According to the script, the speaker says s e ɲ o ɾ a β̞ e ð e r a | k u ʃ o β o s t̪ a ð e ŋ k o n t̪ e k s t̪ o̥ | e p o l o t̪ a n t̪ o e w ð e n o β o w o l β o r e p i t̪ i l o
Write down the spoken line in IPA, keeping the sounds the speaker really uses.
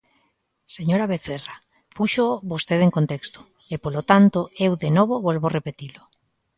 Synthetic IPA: s e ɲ o ɾ a β̞ e θ e r a | p u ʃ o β o s t̪ e ð e ŋ k o n t̪ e k s t̪ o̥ | e p o l o t̪ a n t̪ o e w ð e n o β o β o l β o r e p e t̪ i l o